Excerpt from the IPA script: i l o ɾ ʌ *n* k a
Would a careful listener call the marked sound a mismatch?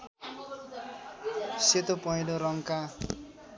yes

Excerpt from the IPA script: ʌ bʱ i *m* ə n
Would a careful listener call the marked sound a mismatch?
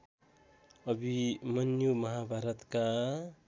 no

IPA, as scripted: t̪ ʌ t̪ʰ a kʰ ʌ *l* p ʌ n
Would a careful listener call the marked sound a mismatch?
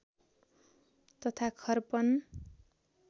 yes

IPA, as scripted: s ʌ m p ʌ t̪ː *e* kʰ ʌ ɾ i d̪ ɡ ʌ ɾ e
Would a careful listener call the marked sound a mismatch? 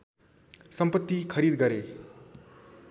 yes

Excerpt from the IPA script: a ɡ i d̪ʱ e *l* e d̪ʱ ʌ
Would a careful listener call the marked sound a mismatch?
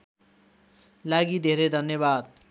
yes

